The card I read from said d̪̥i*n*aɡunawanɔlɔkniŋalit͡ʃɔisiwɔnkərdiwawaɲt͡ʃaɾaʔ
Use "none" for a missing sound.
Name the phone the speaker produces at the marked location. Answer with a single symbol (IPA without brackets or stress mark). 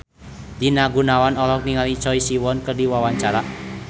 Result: n